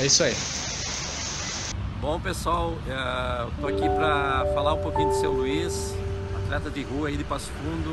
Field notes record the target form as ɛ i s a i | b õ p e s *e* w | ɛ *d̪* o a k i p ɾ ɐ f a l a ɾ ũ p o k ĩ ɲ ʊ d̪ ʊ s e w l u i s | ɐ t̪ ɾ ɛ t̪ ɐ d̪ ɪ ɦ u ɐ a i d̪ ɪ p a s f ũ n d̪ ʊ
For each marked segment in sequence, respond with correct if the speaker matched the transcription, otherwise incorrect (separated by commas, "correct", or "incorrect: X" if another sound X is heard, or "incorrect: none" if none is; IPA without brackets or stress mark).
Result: incorrect: a, incorrect: t̪